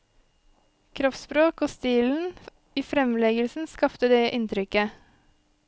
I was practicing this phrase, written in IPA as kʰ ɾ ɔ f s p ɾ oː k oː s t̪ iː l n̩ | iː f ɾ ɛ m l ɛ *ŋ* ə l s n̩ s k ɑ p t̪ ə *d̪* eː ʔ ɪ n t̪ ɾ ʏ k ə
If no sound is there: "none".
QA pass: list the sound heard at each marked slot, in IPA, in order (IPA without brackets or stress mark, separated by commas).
ɡ, d̪